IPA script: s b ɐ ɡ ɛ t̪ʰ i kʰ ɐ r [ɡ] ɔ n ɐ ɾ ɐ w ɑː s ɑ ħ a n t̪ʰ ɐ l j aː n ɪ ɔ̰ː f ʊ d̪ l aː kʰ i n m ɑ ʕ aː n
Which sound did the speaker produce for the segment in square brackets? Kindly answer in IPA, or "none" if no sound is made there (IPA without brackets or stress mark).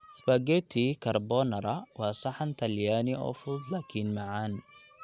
b